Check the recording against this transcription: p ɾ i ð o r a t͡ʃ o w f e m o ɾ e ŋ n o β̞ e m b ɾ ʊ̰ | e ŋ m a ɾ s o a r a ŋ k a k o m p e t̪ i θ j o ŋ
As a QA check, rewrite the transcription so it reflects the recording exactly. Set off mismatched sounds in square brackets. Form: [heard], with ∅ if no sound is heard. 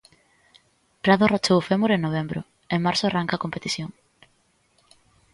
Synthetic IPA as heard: p ɾ [a] ð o r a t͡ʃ o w f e m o ɾ e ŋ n o β̞ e m b ɾ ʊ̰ | e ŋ m a ɾ s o a r a ŋ k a k o m p e t̪ i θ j o ŋ